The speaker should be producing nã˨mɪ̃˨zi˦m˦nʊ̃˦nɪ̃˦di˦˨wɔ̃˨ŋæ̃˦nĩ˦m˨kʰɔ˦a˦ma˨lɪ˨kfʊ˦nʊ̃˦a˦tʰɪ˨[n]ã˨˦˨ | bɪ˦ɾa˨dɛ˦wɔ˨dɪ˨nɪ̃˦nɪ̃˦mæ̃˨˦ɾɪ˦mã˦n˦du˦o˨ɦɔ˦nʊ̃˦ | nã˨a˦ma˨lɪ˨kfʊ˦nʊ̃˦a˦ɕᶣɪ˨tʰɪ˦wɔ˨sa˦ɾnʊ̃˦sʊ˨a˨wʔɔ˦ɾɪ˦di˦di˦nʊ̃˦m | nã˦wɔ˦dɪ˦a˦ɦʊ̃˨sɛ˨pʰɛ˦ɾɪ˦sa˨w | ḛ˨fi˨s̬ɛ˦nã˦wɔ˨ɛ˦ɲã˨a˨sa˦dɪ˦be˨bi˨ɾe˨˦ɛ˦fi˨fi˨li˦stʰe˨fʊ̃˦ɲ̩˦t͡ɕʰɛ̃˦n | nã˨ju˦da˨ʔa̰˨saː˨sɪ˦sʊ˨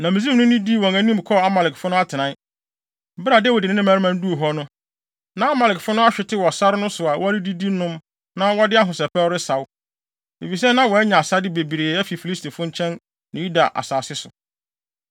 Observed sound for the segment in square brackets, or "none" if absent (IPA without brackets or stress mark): n